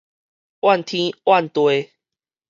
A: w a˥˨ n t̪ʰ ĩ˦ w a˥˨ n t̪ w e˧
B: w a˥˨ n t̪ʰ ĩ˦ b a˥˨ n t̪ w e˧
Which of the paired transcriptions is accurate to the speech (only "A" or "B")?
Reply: A